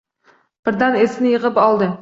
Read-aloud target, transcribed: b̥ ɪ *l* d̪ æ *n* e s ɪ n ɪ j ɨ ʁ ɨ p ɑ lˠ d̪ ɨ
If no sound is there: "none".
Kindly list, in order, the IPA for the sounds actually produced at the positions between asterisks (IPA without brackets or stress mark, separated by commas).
ɾ, n